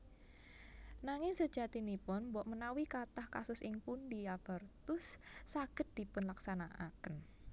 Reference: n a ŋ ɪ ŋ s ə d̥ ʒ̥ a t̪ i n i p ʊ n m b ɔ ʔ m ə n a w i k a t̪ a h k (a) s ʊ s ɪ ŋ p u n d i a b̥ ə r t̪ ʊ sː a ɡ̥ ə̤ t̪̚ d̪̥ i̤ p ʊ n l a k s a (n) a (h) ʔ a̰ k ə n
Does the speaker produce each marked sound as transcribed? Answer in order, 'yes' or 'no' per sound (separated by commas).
yes, yes, no